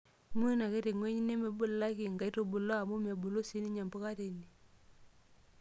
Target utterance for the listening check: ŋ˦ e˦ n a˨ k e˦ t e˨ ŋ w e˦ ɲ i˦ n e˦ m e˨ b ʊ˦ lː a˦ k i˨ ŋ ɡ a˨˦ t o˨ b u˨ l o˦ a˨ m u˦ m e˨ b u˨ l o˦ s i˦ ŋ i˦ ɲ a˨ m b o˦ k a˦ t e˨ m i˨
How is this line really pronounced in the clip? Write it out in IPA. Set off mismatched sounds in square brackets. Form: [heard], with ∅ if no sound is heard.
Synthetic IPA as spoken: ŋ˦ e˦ n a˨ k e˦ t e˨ ŋ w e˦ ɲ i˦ n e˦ m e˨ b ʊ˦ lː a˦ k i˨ ŋ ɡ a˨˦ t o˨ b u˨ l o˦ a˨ m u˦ m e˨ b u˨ l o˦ s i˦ [n] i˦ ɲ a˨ m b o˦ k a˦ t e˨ [n] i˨